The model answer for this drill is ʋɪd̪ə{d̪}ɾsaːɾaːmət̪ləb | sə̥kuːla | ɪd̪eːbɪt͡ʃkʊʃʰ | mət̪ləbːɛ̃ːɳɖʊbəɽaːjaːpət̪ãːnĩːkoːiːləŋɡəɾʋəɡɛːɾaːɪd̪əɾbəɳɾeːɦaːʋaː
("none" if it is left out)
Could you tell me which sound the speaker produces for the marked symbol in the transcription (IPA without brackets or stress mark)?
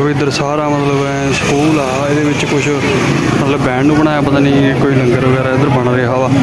none